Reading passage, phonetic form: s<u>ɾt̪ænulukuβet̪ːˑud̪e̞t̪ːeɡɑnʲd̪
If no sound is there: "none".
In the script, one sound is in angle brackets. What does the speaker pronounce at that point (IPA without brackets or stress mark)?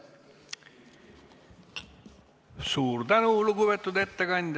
uː